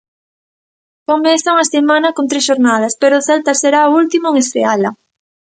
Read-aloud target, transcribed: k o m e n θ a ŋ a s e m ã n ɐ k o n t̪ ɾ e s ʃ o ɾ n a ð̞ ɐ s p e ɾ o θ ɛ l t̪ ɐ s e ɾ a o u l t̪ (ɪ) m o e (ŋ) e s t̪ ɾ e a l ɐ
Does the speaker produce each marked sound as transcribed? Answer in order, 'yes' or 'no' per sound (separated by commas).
no, yes